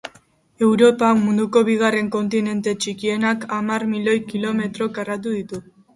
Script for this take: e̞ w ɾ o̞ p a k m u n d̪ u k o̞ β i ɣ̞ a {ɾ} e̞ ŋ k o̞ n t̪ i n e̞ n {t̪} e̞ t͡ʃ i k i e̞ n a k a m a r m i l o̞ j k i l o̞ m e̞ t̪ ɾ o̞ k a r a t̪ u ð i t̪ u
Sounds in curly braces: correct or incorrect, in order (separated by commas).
incorrect, correct